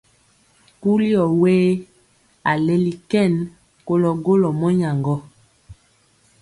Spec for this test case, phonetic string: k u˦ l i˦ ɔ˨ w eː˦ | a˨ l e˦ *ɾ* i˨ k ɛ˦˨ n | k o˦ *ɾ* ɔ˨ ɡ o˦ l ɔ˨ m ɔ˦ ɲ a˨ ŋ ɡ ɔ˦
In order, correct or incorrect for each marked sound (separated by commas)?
incorrect, incorrect